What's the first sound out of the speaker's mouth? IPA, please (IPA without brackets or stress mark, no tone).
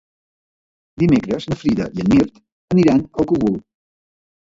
d̪